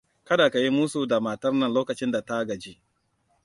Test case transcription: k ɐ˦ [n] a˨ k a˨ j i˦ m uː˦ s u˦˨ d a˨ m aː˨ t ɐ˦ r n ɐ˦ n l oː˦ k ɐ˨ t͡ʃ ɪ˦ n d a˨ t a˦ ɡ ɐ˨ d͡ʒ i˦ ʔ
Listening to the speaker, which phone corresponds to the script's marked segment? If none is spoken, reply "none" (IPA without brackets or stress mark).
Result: d